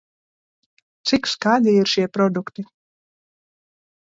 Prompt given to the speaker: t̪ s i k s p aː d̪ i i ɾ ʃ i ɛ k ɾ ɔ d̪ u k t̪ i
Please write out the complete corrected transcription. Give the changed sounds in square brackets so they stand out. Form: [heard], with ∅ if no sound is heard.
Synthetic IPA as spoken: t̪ s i k s [k] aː d̪ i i ɾ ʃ i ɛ [p] ɾ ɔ d̪ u k t̪ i